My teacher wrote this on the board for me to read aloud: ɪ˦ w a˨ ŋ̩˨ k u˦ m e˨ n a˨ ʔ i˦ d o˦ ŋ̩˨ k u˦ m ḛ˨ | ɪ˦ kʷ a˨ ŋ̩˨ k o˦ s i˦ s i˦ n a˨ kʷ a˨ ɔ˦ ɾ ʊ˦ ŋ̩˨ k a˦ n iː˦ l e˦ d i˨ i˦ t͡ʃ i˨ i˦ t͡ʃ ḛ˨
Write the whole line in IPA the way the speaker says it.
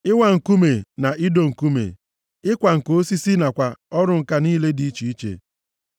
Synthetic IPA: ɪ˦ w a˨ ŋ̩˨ k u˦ m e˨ n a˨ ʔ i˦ d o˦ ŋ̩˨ k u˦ m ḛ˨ | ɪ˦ kʷ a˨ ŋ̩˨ k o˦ s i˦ s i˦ n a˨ kʷ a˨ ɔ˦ ɾ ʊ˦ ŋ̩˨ k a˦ n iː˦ l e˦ d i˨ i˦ t͡ʃ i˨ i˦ t͡ʃ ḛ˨